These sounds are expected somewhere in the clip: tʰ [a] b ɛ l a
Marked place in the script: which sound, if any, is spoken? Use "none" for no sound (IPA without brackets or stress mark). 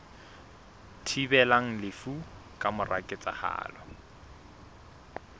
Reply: i